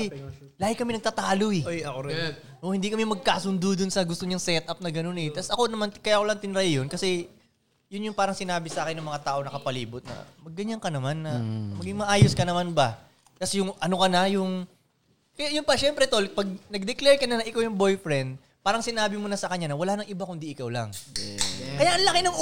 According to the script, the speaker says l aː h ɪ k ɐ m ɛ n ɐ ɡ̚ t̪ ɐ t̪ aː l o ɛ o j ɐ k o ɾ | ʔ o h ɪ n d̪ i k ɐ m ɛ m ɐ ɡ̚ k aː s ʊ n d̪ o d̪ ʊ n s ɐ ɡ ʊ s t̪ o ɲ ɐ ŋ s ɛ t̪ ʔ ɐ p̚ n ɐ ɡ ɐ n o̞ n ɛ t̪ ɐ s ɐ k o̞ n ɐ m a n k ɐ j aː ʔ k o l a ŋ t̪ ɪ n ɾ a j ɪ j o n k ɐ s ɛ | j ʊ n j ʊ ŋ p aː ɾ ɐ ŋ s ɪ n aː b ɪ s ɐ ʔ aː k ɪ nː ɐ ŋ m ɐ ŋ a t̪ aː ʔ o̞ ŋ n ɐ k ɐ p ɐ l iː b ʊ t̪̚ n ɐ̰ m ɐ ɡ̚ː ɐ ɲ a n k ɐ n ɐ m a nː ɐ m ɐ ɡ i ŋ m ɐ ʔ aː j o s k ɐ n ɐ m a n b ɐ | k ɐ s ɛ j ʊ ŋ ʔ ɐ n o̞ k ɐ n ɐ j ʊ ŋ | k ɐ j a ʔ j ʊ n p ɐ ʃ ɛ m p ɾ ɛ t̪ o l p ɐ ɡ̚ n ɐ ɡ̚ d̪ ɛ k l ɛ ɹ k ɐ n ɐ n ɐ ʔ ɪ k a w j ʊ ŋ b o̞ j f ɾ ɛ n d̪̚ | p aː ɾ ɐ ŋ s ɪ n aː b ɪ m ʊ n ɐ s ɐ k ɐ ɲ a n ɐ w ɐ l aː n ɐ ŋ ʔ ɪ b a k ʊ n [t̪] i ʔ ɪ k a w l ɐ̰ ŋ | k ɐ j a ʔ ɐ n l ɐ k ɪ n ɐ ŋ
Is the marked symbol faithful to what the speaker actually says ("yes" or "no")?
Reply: no